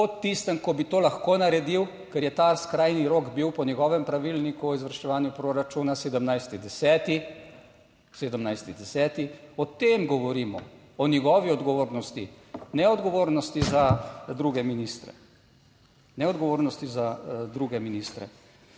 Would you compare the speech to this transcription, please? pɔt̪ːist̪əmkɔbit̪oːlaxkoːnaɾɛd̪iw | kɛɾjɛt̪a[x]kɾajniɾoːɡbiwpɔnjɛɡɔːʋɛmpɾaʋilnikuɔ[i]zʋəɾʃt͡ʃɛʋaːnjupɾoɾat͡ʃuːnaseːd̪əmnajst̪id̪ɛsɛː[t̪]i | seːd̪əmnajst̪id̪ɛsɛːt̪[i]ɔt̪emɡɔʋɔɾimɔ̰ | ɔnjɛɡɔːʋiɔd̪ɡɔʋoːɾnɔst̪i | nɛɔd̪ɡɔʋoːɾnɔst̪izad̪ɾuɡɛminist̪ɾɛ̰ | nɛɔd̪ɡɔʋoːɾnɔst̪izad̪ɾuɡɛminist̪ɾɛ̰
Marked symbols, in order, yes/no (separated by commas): no, yes, yes, yes